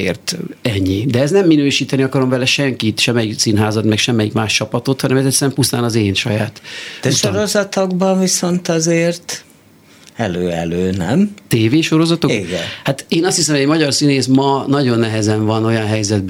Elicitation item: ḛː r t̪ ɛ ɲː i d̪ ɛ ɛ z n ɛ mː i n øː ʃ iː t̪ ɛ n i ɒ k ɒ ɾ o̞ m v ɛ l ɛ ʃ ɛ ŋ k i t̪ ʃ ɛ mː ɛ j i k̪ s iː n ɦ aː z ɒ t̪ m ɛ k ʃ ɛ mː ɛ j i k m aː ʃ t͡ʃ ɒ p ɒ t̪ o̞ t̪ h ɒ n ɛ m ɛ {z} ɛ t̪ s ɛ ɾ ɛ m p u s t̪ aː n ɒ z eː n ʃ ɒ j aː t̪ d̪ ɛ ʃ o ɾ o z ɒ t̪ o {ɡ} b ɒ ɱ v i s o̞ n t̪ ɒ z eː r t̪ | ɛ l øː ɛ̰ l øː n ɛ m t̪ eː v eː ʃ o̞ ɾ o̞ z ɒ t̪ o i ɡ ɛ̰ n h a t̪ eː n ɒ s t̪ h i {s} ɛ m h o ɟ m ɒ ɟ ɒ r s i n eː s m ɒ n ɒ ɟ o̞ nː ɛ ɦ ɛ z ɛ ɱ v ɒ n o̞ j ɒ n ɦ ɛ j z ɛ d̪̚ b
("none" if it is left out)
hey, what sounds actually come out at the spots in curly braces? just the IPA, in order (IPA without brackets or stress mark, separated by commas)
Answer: z, ɡ, s